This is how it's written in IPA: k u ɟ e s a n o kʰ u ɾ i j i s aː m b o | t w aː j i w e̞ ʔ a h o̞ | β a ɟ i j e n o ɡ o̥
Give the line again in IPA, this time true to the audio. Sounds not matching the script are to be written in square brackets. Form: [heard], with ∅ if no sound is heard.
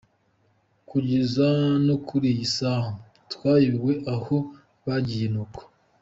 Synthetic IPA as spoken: k u ɟ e [z] a n o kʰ u ɾ i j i s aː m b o | t w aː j i w e̞ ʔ a h o̞ | β a ɟ i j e n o [k] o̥